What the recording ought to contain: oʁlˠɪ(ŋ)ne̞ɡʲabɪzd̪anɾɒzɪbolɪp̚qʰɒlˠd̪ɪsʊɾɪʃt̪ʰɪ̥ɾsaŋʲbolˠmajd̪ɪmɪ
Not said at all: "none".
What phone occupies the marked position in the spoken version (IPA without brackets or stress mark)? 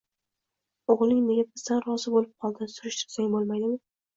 ŋ